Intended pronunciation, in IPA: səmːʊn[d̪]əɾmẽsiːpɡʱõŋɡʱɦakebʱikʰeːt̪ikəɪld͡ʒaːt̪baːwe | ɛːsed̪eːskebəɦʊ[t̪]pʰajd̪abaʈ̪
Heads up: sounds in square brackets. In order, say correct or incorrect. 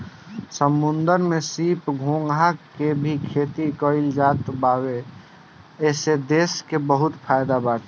correct, correct

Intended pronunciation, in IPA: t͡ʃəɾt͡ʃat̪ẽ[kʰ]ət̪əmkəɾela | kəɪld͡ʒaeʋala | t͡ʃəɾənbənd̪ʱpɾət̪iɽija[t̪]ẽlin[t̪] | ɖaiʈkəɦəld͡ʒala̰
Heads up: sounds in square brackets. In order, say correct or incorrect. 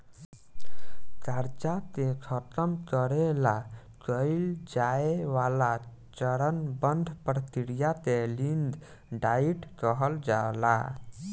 correct, correct, incorrect: d̪

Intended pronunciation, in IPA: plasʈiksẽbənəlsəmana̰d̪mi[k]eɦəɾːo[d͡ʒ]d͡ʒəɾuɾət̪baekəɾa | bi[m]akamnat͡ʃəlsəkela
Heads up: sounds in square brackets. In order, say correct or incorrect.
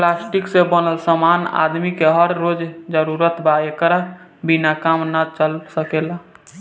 correct, correct, incorrect: n

